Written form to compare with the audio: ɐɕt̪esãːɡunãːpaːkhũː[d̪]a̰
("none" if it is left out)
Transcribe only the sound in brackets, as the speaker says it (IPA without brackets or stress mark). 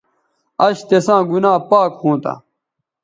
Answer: t̪